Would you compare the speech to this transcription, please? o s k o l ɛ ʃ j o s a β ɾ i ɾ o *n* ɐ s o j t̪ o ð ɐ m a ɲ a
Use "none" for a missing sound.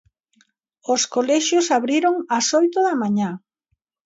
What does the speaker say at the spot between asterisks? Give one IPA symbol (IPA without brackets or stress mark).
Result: ŋ